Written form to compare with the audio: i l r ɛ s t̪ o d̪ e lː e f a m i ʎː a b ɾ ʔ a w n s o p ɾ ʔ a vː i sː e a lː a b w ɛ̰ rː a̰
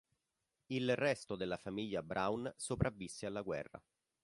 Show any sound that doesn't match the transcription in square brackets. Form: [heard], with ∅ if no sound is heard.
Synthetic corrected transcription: i l r ɛ s t̪ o d̪ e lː [a] f a m i ʎː a b ɾ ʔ a w n s o p ɾ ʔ a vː i sː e a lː a [ɡ] w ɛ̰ rː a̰

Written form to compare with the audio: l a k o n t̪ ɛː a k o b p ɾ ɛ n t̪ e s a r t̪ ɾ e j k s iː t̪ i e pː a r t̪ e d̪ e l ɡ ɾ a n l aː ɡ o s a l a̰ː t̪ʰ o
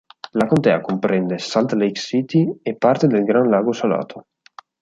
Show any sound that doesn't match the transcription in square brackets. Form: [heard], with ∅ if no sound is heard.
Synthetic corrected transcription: l a k o n t̪ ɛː a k o [m] p ɾ ɛ n [d̪] e s a [l] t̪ [l] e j k s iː t̪ i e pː a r t̪ e d̪ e l ɡ ɾ a n l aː ɡ o s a l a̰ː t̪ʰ o

